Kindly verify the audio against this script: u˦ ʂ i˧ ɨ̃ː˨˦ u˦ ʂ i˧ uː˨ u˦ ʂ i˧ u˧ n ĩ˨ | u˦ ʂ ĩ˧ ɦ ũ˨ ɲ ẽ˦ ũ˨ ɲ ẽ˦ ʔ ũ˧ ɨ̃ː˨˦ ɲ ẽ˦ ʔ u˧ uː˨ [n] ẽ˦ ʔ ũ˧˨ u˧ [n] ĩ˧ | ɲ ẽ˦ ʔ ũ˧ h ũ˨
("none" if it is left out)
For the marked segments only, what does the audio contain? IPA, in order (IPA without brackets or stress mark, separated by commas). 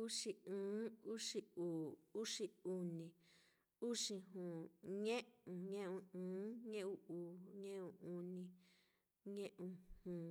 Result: ɲ, n